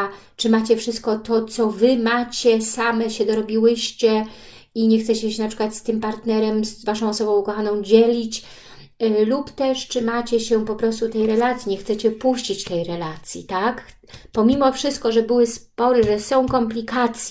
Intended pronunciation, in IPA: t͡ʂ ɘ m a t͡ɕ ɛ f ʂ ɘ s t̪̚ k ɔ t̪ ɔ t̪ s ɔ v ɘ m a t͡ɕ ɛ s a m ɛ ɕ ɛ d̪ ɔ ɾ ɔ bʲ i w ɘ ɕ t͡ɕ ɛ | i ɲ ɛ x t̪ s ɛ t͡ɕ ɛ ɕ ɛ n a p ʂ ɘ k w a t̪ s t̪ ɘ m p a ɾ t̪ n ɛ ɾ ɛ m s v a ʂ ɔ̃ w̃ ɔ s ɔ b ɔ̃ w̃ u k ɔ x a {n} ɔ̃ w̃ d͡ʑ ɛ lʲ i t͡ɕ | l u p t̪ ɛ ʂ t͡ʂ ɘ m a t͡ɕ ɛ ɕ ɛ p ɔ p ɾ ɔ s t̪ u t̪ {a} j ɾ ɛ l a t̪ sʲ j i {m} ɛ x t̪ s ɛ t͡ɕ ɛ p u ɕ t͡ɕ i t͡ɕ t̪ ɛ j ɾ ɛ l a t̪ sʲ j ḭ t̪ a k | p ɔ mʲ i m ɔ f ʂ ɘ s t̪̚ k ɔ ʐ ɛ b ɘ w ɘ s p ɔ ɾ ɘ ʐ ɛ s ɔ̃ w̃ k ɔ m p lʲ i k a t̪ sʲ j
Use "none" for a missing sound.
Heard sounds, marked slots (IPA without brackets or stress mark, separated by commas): n, ɛ, ɲ